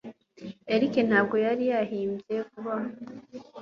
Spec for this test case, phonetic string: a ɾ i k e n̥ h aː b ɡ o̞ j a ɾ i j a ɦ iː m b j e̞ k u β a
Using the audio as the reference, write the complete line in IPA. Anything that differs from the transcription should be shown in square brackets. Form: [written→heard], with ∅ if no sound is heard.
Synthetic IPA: [a→e] ɾ i k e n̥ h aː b ɡ o̞ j a ɾ i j a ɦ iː m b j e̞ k u β a